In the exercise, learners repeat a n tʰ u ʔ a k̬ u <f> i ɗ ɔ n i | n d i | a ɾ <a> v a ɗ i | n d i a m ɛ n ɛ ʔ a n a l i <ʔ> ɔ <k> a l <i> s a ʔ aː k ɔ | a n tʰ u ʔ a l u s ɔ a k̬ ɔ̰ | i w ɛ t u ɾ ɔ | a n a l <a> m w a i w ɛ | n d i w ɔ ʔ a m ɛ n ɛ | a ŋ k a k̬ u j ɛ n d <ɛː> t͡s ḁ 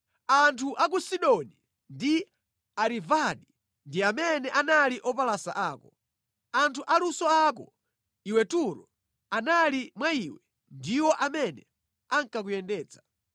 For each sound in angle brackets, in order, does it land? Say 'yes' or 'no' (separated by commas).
no, no, yes, no, no, no, yes